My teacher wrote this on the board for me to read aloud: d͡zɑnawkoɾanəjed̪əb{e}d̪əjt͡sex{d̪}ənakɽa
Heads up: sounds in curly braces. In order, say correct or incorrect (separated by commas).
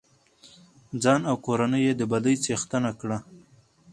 incorrect, incorrect